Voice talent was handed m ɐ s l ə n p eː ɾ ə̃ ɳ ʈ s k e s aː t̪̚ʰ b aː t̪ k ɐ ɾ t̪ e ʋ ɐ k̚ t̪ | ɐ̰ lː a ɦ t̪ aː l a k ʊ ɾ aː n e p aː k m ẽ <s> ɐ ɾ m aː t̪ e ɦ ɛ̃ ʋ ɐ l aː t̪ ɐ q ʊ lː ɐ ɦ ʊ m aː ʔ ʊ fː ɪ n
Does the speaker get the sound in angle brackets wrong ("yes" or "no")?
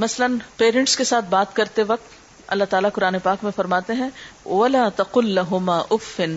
yes